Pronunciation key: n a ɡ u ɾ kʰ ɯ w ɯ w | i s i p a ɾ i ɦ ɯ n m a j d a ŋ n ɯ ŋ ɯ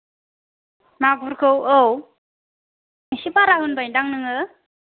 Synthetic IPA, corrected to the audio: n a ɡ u ɾ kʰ ɯ w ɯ w | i s i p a ɾ a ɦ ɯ n b a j d a ŋ n ɯ ŋ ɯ